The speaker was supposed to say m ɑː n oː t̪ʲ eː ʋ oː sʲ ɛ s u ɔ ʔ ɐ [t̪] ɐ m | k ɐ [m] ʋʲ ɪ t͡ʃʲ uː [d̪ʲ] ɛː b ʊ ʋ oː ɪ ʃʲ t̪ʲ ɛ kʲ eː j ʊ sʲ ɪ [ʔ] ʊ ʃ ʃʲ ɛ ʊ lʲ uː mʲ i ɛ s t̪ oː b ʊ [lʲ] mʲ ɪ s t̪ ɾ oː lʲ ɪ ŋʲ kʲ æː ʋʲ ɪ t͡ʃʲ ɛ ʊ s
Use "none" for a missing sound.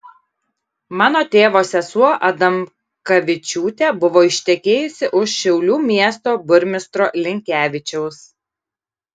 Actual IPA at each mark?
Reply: d̪, none, t̪ʲ, ʔ, ɾʲ

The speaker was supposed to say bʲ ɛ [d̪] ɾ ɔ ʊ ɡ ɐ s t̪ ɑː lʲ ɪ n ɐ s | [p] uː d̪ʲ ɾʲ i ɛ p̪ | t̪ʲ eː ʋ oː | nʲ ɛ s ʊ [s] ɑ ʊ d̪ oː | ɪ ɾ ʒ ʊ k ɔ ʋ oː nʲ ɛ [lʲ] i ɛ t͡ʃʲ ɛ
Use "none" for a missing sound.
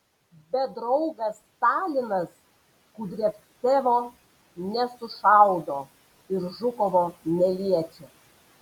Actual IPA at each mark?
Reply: d̪, k, ʃ, lʲ

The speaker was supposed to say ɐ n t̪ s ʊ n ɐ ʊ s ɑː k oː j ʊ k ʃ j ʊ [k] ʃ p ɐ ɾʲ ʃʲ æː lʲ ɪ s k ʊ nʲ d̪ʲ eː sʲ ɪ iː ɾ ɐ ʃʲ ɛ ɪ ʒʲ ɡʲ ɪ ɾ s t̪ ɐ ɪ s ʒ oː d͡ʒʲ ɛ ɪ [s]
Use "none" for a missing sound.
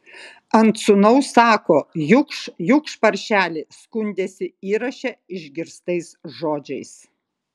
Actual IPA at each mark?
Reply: k, s

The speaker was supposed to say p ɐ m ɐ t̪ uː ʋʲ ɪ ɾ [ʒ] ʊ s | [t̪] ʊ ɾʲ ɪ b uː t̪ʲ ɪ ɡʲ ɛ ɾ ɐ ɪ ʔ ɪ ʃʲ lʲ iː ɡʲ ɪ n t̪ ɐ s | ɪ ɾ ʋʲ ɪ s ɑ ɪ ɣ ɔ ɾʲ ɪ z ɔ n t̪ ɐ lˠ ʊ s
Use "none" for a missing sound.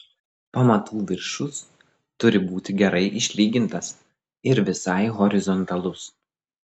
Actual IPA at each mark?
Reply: ʃ, t̪

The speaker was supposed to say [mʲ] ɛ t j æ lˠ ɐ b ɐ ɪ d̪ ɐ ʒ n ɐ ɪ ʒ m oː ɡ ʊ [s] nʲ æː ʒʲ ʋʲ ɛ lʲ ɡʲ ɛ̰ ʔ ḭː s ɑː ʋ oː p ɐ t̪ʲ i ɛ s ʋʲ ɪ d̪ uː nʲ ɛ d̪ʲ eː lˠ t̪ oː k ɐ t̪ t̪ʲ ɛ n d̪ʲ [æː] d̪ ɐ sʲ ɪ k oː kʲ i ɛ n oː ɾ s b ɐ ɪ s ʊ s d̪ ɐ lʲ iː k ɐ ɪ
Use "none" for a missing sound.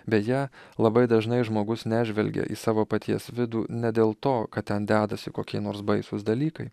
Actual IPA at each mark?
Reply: bʲ, s, æː

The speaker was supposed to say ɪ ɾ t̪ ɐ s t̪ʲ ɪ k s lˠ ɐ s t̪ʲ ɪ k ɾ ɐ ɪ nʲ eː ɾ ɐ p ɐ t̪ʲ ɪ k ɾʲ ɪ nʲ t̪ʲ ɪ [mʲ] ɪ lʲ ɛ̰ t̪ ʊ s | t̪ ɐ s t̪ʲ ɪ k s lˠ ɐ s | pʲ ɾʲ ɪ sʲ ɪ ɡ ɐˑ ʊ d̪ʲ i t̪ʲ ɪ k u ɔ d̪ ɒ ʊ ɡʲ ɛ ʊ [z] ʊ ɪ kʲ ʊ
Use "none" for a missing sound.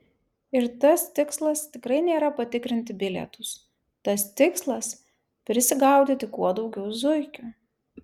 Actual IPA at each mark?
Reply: bʲ, z

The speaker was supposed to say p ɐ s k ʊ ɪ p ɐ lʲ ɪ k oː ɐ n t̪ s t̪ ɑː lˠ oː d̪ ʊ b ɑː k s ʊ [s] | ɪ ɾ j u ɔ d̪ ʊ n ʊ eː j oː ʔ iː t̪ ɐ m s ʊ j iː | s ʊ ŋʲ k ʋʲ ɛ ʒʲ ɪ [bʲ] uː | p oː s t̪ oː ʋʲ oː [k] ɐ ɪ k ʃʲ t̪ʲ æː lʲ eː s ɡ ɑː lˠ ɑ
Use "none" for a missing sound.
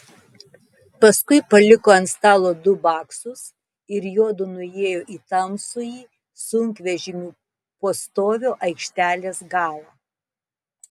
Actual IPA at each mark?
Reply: s, mʲ, ʔ

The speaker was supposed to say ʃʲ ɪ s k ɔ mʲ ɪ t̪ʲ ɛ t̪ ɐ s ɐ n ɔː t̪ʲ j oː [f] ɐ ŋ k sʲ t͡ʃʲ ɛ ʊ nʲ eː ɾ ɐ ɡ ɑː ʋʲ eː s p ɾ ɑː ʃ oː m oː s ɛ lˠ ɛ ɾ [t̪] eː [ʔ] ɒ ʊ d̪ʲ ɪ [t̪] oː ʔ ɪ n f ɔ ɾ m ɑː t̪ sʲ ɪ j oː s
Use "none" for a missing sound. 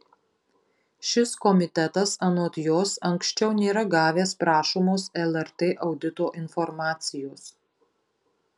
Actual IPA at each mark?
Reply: s, t̪, ʔ, t̪

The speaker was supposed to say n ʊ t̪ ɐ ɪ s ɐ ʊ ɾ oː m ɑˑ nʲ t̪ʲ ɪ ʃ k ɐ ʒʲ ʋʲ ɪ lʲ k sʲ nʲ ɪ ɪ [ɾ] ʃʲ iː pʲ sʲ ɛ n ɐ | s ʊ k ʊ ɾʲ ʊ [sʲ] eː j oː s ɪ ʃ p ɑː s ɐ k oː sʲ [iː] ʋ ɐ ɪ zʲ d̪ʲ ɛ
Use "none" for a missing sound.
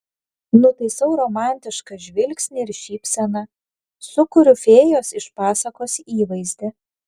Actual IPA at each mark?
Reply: ɾ, fʲ, iː

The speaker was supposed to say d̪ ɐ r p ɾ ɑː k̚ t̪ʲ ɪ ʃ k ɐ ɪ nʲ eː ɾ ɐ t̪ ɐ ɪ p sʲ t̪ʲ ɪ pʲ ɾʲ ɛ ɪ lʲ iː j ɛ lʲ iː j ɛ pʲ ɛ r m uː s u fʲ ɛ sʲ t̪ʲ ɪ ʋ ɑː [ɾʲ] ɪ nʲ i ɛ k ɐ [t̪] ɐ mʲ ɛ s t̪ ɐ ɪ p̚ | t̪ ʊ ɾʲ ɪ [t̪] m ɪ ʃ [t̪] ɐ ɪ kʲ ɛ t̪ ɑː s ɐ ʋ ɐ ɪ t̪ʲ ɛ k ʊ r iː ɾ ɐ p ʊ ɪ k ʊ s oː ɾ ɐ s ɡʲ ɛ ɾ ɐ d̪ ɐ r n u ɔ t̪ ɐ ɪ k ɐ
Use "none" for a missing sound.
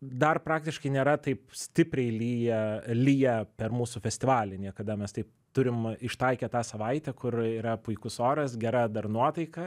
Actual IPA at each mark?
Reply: lʲ, d̪, none, t̪

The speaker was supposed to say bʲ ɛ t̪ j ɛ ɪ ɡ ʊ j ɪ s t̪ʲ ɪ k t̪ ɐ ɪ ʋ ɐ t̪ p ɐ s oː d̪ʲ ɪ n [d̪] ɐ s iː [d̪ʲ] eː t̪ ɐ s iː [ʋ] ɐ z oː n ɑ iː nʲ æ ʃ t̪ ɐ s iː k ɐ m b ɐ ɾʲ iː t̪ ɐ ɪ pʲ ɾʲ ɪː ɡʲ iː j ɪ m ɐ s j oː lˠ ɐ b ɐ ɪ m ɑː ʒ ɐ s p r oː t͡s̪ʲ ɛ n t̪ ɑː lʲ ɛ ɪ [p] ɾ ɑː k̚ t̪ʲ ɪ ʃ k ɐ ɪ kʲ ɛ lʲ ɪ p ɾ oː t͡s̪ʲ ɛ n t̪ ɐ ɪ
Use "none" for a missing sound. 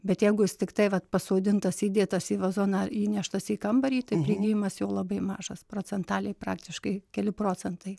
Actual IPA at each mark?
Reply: t̪, d̪ʲ, ʋ, p

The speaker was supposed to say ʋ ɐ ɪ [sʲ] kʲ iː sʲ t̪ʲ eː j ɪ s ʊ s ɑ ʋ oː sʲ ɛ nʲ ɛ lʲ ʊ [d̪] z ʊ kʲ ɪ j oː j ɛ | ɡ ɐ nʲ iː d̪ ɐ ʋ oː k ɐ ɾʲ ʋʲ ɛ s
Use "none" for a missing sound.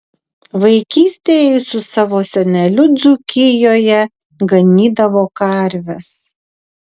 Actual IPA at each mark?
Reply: none, d̪

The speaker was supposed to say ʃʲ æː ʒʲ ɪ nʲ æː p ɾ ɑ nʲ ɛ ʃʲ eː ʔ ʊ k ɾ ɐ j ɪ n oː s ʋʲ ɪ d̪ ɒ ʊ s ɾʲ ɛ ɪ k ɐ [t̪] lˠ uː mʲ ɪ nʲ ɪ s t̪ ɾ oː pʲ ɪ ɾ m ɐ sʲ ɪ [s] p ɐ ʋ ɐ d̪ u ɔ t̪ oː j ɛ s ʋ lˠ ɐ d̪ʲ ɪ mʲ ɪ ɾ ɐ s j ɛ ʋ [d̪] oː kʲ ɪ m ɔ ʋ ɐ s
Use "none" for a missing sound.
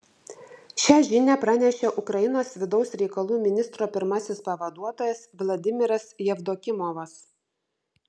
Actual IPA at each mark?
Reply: none, s, d̪

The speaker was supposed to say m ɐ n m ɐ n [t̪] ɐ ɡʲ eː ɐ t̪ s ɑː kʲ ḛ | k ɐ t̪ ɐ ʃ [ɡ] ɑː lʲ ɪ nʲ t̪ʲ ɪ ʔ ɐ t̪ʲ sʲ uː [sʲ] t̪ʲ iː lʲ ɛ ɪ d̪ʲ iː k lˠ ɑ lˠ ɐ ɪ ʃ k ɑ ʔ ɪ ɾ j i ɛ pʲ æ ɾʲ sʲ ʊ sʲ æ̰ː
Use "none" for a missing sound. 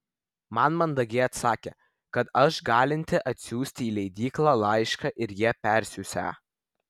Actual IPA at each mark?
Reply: d̪, ɡ, sʲ

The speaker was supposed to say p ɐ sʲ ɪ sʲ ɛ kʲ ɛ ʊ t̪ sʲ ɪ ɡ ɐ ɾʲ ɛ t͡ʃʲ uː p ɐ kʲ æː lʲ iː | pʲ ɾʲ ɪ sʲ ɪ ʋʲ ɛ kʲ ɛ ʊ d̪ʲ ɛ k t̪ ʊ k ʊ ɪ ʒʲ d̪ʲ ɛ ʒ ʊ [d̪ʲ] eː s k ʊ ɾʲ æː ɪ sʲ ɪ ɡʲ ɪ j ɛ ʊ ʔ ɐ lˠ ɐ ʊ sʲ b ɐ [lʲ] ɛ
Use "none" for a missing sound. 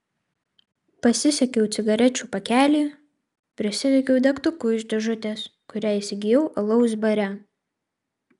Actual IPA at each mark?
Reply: t̪ʲ, ɾʲ

